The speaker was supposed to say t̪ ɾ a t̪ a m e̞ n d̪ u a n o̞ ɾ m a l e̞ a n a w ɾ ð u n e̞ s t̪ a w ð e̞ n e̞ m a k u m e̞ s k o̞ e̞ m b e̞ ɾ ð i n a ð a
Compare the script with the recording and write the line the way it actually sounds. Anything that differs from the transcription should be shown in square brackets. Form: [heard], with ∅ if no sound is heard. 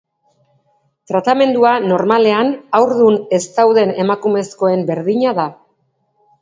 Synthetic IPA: t̪ ɾ a t̪ a m e̞ n d̪ u a n o̞ ɾ m a l e̞ a n a w ɾ ð u n e̞ s t̪ a w ð e̞ n e̞ m a k u m e̞ s k o̞ e̞ m b e̞ ɾ ð i [ɲ] a ð a